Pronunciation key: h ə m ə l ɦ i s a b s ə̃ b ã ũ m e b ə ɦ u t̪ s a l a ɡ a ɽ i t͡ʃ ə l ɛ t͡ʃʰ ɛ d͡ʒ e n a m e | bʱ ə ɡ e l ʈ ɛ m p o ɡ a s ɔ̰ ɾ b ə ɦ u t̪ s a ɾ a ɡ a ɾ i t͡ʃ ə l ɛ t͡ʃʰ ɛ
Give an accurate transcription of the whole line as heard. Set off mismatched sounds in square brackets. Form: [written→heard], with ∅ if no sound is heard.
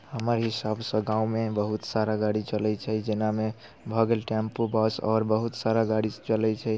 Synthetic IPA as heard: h ə m ə [l→ɾ] ɦ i s a b s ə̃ [b→ɡ] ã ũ m e b ə ɦ u t̪ s a [l→ɾ] a ɡ a ɽ i t͡ʃ ə l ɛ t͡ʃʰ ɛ d͡ʒ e n a m e | bʱ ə ɡ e l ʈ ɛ m p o [ɡ→b] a s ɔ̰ ɾ b ə ɦ u t̪ s a ɾ a ɡ a [ɾ→ɽ] i t͡ʃ ə l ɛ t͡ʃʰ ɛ